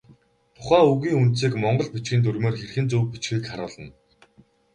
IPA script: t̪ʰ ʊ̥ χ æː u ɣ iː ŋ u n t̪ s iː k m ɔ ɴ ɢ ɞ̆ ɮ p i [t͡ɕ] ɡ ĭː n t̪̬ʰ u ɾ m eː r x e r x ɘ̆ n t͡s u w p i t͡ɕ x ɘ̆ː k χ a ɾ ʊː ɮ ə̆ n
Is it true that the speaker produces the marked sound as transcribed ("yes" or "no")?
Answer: yes